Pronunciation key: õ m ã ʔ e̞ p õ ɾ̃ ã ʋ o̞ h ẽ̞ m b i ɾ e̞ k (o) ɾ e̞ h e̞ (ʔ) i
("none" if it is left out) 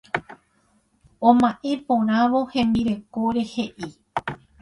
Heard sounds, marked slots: o, ʔ

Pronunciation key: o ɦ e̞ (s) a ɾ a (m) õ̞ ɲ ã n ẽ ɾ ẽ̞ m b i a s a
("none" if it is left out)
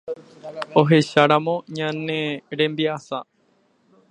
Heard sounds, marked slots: ʃ, m

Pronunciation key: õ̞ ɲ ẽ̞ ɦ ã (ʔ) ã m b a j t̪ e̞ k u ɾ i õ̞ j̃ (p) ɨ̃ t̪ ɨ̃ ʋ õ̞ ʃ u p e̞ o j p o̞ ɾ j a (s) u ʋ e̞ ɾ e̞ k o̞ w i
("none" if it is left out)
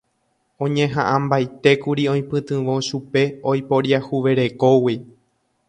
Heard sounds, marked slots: ʔ, p, h

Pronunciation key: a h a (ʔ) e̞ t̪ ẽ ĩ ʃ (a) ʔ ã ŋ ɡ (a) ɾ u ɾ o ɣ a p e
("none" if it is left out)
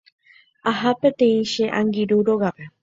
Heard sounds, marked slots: p, e, i

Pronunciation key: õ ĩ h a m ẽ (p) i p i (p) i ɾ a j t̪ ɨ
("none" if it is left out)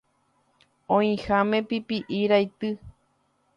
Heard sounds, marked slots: p, ʔ

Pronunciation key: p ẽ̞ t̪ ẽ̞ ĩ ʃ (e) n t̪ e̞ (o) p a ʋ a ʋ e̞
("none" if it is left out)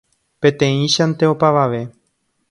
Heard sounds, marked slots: a, o

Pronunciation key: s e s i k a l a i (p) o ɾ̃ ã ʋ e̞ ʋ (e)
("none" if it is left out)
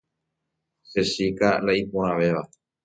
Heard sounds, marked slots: p, a

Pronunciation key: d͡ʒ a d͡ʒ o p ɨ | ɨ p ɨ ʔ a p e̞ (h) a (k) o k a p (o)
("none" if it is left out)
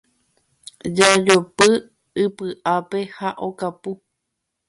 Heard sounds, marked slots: h, ʔ, u

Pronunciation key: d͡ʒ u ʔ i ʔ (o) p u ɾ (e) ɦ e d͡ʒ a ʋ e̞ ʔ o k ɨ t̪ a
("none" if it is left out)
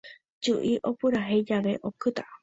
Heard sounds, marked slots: o, a

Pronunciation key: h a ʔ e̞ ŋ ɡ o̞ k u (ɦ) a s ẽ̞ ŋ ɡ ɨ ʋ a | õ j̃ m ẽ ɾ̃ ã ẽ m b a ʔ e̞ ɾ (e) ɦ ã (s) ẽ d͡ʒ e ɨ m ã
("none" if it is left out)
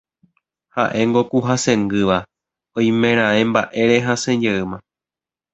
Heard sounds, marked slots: ɦ, e, s

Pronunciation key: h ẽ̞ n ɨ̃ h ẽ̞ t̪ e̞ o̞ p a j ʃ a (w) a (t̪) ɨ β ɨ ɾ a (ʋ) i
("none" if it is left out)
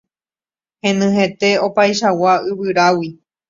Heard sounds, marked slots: w, none, w

